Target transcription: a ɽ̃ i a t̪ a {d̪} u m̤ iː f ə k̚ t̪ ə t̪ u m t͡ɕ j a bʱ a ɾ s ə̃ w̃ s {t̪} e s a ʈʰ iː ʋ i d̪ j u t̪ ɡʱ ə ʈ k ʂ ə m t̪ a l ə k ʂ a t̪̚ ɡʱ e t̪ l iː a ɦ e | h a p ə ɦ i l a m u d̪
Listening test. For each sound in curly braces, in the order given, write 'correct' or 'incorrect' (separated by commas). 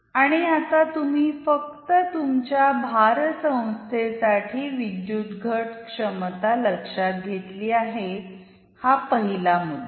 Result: incorrect, incorrect